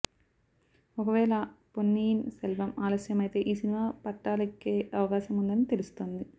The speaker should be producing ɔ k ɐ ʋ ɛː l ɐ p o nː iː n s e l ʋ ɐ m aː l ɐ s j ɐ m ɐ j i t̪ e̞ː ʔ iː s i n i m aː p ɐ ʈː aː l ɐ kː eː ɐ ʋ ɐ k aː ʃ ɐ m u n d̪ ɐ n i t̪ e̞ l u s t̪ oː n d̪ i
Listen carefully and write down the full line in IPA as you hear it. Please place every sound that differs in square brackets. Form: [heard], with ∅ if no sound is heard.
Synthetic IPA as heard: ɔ k ɐ ʋ ɛː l ɐ p o nː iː n s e l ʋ ɐ m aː l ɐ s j ɐ m ɐ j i t̪ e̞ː ʔ iː s i n i m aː p ɐ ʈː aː l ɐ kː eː ɐ ʋ ɐ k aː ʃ ɐ m u n d̪ ɐ n i t̪ e̞ l u s t̪ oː n d̪ i